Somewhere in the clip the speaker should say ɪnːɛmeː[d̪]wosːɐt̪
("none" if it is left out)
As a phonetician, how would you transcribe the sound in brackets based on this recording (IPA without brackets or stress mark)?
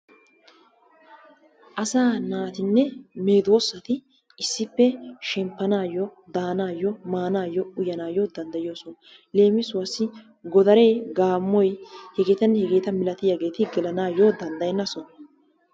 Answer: d̪